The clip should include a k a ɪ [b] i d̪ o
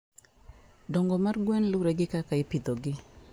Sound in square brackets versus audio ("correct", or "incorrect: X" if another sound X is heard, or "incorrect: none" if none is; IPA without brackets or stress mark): incorrect: p